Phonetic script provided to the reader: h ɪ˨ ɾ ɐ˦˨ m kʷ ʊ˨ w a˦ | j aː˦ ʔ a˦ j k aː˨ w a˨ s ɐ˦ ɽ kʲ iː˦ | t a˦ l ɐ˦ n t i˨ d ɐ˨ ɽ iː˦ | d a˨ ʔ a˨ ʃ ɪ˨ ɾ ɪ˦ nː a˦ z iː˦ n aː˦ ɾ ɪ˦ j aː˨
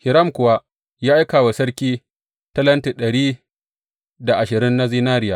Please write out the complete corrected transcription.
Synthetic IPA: h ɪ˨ ɾ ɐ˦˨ m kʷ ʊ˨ w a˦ | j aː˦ ʔ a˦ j k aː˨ w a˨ s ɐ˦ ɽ kʲ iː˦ | t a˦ l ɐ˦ n t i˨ ɗ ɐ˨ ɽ iː˦ | d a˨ ʔ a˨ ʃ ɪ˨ ɾ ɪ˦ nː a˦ z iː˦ n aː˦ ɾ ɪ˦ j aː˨